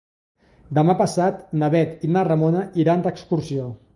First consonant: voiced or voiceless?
voiced